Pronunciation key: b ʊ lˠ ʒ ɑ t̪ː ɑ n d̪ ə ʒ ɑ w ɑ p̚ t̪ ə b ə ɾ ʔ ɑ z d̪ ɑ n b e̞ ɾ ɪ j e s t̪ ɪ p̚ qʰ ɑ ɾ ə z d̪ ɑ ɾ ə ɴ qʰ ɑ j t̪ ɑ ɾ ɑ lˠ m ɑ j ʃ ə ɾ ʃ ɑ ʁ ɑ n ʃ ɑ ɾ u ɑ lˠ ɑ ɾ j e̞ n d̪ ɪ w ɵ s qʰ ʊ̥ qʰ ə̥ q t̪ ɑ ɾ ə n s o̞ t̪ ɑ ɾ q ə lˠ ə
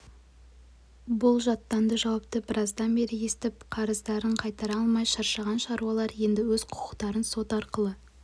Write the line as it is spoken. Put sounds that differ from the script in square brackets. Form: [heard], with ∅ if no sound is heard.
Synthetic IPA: b ʊ lˠ ʒ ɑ t̪ː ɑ n d̪ ə ʒ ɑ w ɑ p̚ t̪ ə b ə ɾ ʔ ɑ z d̪ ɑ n b e̞ ɾ ɪ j e s t̪ ɪ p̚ qʰ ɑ ɾ ə z d̪ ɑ ɾ ə ɴ qʰ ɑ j t̪ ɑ ɾ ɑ lˠ m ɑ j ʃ [ɑ] ɾ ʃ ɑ ʁ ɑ n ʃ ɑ ɾ u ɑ lˠ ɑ ɾ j e̞ n d̪ ɪ w ɵ [z] qʰ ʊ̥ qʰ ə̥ q t̪ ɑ ɾ ə n s o̞ t̪ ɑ ɾ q ə lˠ ə